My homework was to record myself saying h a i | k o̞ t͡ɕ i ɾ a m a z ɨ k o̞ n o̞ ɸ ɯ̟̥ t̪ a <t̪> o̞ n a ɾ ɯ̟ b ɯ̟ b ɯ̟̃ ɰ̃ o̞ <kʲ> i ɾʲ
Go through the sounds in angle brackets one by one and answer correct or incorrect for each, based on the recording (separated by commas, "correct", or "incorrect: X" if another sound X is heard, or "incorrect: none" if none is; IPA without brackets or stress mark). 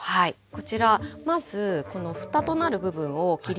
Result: correct, correct